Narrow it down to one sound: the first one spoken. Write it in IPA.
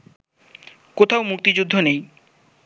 k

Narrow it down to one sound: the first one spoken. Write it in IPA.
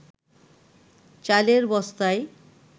t͡ɕ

